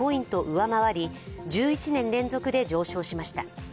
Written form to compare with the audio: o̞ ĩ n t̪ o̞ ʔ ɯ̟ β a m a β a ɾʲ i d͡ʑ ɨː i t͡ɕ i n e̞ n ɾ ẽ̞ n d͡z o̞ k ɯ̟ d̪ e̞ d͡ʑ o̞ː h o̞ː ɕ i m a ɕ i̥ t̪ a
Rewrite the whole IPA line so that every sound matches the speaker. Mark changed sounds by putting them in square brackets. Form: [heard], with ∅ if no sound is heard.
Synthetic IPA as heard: o̞ ĩ n t̪ o̞ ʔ ɯ̟ β a m a β a ɾʲ i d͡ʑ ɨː i t͡ɕ i n [ẽ̞] n ɾ ẽ̞ n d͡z o̞ k ɯ̟ d̪ e̞ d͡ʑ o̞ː [ɕ] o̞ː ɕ i m a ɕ i̥ t̪ a